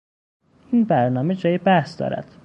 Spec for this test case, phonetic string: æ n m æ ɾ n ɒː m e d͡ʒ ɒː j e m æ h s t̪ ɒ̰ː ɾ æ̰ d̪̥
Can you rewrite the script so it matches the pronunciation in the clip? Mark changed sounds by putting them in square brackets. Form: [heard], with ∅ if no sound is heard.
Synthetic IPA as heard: [i] n [b] æ ɾ n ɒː m e d͡ʒ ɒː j e [b] æ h s [d̪] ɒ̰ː ɾ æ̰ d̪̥